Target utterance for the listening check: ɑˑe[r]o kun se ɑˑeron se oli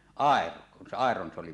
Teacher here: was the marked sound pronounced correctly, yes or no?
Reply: yes